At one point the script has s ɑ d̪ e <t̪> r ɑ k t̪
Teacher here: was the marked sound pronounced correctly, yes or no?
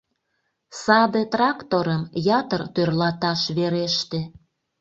yes